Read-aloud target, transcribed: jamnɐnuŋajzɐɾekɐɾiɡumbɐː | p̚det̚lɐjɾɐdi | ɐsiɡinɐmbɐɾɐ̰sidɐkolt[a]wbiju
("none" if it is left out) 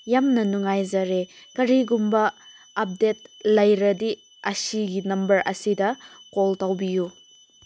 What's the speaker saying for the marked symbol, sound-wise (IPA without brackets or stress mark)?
a